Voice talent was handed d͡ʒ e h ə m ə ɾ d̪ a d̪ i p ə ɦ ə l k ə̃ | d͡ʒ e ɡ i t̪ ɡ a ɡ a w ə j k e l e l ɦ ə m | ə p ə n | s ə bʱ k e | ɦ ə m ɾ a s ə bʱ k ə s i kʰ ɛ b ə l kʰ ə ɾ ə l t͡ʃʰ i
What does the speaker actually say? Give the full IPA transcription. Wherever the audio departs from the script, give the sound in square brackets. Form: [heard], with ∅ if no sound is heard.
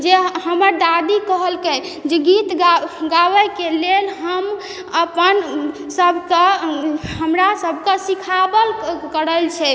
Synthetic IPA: d͡ʒ e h ə m ə ɾ d̪ a d̪ i [k] ə ɦ ə l k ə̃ | d͡ʒ e ɡ i t̪ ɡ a ɡ a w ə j k e l e l ɦ ə m | ə p ə n | s ə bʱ k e | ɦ ə m ɾ a s ə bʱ k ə s i kʰ [a] b ə l [k] ə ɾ ə l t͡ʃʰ [ɛ]